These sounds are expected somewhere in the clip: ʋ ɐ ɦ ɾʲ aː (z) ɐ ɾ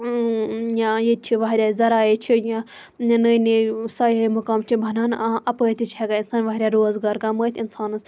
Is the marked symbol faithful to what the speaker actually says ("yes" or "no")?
yes